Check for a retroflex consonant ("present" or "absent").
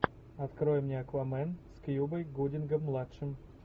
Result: present